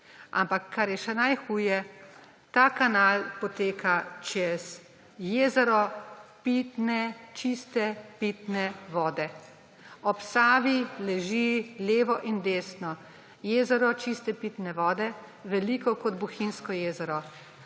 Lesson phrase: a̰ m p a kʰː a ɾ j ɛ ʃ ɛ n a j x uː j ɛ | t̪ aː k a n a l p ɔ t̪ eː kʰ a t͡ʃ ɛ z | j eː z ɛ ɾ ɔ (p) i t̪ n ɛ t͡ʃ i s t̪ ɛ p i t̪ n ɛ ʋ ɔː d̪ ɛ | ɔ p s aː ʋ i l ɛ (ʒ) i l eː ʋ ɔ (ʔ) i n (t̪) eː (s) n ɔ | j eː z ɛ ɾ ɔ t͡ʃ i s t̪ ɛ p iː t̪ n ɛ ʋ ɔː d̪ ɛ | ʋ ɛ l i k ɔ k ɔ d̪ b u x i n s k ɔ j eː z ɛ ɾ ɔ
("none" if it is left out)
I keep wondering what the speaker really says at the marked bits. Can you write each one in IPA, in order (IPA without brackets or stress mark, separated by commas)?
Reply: p, ʒ, ʔ, d̪, s